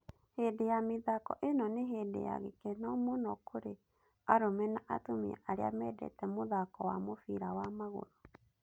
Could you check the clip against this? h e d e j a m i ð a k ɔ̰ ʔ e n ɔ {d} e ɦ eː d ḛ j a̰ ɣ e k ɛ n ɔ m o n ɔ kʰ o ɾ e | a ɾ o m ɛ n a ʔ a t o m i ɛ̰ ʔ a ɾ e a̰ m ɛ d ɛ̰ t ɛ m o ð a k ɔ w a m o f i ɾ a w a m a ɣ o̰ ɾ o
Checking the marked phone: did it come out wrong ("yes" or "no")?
yes